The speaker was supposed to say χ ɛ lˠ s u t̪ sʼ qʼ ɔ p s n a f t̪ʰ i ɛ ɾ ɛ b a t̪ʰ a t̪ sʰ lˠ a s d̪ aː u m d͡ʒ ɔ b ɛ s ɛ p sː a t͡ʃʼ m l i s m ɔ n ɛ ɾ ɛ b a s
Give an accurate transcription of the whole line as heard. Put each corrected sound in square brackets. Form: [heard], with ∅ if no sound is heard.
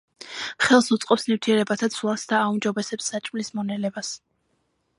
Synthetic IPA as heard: χ ɛ lˠ s u t̪ sʼ qʼ ɔ p s n [i] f t̪ʰ i ɛ ɾ ɛ b a t̪ʰ a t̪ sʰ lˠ a s d̪ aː u m d͡ʒ ɔ b ɛ s ɛ p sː a t͡ʃʼ m l i s m ɔ n ɛ [l] ɛ b a s